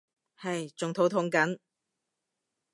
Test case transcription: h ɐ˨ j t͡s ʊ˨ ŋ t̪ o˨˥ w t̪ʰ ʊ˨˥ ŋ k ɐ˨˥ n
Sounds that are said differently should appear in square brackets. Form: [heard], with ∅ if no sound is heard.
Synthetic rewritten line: h ɐ˨ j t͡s ʊ˨ ŋ [t̪ʰ] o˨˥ w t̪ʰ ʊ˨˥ ŋ k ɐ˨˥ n

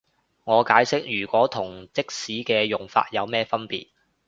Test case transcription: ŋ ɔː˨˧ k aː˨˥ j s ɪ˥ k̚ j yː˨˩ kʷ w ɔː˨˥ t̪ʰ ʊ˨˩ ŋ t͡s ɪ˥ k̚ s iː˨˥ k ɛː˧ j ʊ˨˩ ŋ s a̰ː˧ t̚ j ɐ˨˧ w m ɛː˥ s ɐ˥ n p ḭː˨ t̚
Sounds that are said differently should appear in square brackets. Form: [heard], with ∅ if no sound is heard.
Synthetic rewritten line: ŋ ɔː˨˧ k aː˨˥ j s ɪ˥ k̚ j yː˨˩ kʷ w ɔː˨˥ t̪ʰ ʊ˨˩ ŋ t͡s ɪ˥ k̚ s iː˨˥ k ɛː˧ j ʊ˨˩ ŋ [f] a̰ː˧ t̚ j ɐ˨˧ w m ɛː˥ [f] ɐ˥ n p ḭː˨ t̚

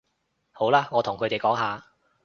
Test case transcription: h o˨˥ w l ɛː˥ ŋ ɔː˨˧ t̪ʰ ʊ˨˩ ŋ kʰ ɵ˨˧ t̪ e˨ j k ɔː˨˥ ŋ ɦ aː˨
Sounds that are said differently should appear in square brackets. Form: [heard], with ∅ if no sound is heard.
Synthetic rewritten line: h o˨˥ w l [aː˥] ŋ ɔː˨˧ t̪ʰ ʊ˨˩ ŋ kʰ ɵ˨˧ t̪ e˨ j k ɔː˨˥ ŋ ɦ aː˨

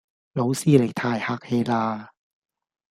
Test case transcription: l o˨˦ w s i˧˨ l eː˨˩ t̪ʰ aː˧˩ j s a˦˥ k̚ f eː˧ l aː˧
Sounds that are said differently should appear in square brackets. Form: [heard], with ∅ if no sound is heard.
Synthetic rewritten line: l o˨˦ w s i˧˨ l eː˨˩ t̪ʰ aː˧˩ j [h] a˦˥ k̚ [h] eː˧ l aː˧

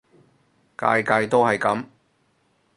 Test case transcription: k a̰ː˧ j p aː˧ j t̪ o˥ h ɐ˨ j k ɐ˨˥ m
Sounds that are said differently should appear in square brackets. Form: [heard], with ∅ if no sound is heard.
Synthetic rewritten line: k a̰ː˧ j [k] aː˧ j t̪ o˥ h ɐ˨ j k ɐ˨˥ m

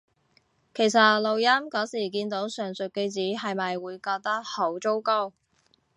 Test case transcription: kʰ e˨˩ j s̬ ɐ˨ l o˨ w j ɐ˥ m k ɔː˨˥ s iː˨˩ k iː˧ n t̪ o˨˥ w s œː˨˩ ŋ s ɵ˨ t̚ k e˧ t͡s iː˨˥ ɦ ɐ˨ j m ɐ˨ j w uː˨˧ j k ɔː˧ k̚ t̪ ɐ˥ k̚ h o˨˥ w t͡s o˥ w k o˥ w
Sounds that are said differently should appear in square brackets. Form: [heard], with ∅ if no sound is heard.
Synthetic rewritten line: kʰ e˨˩ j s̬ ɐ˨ l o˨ w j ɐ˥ m k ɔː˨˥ s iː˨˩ k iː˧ n t̪ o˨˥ w s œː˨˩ ŋ s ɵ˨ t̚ k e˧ t͡s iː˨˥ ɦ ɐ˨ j m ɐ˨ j w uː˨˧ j k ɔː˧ k̚ t̪ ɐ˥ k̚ h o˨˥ w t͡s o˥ w k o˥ w

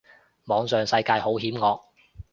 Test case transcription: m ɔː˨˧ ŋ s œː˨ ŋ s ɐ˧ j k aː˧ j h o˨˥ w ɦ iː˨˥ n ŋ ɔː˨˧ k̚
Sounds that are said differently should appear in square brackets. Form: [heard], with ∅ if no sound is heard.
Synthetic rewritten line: m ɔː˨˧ ŋ s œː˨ ŋ s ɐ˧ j k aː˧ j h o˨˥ w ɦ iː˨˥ [m] ŋ ɔː˨˧ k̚

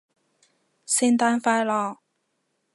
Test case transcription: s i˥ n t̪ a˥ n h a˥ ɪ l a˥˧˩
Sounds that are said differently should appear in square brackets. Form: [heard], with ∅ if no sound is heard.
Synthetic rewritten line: s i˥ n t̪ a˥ n [f] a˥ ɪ l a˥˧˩

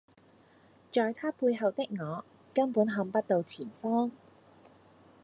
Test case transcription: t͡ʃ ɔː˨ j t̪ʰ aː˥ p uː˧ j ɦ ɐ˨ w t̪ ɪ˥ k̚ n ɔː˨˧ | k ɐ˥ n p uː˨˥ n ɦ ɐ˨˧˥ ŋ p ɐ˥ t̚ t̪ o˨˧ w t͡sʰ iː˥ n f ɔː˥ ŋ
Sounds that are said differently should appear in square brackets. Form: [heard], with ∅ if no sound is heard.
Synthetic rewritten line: t͡ʃ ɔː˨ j t̪ʰ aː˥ p uː˧ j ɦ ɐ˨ w t̪ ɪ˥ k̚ [ŋ] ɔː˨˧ | k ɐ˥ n p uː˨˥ n ɦ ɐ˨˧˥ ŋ p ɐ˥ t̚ t̪ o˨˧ w t͡sʰ [iː˨˩] n f ɔː˥ ŋ

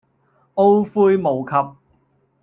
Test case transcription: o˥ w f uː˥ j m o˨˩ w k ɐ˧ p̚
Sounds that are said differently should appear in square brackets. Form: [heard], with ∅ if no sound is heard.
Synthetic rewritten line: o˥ w f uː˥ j m o˨˩ w [kʰ] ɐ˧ p̚

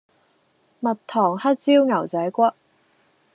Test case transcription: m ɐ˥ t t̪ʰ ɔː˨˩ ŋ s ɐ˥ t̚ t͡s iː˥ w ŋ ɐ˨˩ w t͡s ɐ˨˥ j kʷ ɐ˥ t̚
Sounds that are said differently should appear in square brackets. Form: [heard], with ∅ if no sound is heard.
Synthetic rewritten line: m [ɐ˨] t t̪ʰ ɔː˨˩ ŋ [h] ɐ˥ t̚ t͡s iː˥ w ŋ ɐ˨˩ w t͡s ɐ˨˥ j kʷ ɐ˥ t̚

